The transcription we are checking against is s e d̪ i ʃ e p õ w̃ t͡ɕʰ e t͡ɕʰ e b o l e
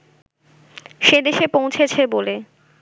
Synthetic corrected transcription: ʃ e d̪ e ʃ e p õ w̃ t͡ɕʰ e t͡ɕʰ e b o l e